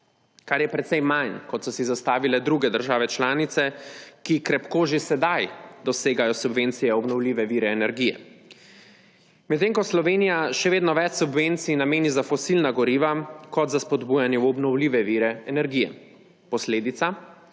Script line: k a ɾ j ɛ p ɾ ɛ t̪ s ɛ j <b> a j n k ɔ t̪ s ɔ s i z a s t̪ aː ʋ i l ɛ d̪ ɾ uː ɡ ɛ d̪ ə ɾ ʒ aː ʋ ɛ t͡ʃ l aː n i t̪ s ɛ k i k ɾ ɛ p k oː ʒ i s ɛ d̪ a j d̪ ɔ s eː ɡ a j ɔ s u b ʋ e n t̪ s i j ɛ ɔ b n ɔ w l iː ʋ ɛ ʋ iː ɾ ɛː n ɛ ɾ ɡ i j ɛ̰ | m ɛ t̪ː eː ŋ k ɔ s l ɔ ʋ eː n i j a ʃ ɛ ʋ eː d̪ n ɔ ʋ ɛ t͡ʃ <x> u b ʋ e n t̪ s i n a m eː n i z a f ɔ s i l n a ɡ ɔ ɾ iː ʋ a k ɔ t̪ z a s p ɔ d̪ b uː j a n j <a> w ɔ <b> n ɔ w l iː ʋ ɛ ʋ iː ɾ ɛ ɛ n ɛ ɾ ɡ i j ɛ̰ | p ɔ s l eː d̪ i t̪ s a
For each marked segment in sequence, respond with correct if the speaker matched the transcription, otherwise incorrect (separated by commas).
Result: incorrect, incorrect, incorrect, correct